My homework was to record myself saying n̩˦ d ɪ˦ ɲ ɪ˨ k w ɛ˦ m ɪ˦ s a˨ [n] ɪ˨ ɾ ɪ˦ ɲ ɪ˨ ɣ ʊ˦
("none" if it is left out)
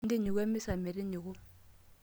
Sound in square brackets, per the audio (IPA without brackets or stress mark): m